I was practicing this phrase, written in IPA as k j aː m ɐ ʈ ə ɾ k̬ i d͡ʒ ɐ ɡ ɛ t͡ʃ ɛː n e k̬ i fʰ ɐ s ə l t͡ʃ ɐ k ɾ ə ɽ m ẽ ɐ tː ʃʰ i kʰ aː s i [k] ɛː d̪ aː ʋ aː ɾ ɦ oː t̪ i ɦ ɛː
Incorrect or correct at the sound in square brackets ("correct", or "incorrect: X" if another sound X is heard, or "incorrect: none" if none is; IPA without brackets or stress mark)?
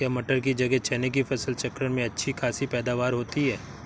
incorrect: p